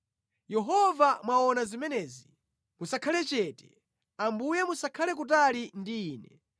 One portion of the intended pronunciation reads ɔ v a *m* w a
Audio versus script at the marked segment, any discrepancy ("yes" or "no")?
no